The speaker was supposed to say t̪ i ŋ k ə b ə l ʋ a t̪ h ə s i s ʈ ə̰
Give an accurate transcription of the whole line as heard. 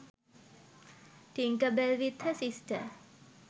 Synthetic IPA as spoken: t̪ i ŋ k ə b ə l ʋ i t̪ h ə s i s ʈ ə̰